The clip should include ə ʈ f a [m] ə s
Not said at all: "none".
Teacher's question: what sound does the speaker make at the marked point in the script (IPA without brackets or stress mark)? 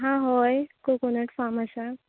m